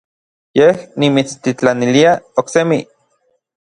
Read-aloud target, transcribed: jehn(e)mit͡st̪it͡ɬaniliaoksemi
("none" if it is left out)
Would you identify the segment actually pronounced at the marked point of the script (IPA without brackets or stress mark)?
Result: i